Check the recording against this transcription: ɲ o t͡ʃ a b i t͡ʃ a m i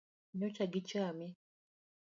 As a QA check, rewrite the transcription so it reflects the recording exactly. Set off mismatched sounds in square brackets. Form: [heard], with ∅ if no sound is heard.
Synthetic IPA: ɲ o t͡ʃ a [ɡ] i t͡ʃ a m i